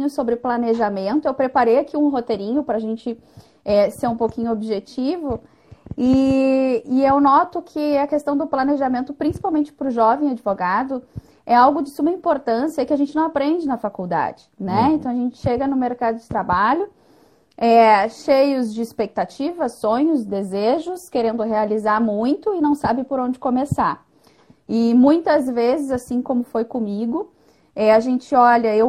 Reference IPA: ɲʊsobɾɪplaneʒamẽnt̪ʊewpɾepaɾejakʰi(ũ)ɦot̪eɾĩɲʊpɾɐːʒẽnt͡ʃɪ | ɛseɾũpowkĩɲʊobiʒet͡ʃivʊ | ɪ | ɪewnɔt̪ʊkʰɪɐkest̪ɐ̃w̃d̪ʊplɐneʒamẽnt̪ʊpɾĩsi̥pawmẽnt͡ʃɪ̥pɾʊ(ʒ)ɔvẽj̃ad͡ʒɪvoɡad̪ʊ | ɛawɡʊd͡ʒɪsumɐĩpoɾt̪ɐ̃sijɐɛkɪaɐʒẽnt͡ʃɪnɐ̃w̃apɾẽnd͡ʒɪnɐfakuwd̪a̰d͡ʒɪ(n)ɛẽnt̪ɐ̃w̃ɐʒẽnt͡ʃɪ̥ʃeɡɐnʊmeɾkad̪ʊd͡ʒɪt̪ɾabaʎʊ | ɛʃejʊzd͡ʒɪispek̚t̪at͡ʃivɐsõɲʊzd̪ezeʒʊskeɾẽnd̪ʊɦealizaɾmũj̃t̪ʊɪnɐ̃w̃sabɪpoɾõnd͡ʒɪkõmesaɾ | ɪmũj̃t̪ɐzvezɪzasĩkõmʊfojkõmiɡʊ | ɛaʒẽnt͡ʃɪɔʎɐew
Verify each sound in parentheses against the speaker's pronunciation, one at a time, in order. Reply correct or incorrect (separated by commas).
correct, correct, correct